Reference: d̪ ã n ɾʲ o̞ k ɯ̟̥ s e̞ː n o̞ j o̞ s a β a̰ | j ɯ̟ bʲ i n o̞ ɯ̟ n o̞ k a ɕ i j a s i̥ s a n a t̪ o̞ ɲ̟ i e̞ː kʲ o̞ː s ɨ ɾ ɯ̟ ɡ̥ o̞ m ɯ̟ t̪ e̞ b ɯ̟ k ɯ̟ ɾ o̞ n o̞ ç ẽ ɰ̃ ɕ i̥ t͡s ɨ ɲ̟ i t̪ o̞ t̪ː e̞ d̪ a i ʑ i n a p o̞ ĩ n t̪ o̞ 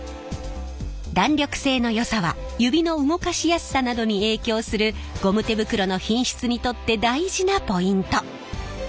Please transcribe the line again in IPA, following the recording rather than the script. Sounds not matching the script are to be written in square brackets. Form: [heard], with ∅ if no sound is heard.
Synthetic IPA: d̪ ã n ɾʲ o̞ k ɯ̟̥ s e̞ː n o̞ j o̞ s a β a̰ | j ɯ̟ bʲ i n o̞ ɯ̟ [ŋ] o̞ k a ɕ i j a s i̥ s a n a [d̪] o̞ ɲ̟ i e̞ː kʲ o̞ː s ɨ ɾ ɯ̟ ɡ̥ o̞ m ɯ̟ t̪ e̞ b ɯ̟ k ɯ̟ ɾ o̞ n o̞ ç [ĩ] ɰ̃ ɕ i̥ t͡s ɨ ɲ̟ i t̪ o̞ t̪ː e̞ d̪ a i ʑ i n a p o̞ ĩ n t̪ o̞